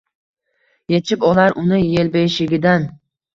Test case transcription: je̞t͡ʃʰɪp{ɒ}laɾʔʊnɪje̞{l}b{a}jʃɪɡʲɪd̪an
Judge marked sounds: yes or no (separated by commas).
yes, yes, no